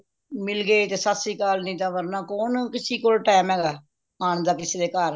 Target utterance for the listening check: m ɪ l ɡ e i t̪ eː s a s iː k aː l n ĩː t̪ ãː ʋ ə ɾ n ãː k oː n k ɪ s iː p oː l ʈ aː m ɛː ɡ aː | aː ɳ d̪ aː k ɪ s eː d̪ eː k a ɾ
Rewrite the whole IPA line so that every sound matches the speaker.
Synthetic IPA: m ɪ l ɡ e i t̪ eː s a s iː k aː l n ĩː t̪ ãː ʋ ə ɾ n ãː k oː n k ɪ s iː k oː l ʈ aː m ɛː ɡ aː | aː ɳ d̪ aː k ɪ s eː d̪ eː k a ɾ